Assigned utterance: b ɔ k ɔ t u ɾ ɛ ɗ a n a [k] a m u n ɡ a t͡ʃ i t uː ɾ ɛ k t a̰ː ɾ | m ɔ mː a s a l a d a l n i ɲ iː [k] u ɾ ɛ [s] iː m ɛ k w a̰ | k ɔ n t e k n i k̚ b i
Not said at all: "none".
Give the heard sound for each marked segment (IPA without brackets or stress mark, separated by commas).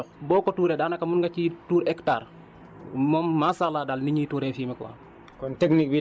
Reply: k, t, f